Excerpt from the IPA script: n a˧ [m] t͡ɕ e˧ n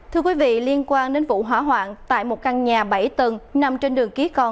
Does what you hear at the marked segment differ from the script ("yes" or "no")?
no